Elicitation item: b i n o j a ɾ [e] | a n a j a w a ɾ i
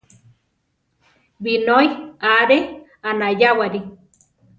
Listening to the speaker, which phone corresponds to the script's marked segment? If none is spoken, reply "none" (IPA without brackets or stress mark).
e